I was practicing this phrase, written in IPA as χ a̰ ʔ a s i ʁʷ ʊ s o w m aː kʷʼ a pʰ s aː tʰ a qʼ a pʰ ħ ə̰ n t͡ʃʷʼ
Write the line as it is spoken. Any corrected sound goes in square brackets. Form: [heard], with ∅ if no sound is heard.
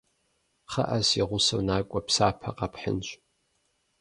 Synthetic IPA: χ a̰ ʔ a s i ʁʷ ʊ s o w [n] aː kʷʼ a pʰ s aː [pʰ] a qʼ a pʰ ħ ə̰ n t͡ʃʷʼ